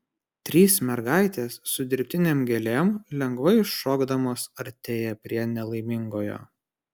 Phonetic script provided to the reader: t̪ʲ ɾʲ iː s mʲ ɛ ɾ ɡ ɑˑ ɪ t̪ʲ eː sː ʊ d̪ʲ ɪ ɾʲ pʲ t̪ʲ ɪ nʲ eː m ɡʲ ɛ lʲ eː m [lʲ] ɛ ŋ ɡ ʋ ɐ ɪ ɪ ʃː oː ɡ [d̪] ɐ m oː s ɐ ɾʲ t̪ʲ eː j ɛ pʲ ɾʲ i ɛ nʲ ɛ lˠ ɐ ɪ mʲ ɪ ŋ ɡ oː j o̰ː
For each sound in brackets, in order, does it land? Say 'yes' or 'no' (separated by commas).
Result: yes, yes